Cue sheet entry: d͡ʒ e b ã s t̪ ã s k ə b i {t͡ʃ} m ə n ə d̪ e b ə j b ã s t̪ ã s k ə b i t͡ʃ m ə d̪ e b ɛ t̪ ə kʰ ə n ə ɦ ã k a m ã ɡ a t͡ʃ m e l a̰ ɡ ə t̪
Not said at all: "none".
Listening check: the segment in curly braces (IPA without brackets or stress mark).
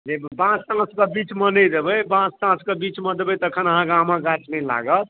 t͡ʃ